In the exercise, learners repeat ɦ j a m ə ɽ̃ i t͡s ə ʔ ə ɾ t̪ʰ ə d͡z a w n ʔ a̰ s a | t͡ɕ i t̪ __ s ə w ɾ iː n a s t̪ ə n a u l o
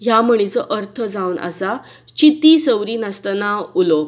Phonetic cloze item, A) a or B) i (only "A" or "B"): B